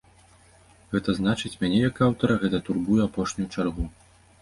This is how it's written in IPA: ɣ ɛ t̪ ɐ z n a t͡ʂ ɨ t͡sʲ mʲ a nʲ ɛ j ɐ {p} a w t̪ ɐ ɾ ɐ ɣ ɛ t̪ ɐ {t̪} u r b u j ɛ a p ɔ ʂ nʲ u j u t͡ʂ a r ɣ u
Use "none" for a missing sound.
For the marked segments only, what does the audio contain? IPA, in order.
k, t̪

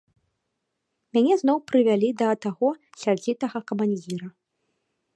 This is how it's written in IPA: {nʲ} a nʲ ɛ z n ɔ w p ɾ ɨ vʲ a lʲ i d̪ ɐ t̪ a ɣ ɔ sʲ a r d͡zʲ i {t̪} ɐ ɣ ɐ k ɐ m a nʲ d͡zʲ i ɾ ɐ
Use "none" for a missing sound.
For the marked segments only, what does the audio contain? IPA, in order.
mʲ, t̪

